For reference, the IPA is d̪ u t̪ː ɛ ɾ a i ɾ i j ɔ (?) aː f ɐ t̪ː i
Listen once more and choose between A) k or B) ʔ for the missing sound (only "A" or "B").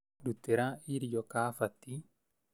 A